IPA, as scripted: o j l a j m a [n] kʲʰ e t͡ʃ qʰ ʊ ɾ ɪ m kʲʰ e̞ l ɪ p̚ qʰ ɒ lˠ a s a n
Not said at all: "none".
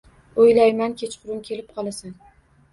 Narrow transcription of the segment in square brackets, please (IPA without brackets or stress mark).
n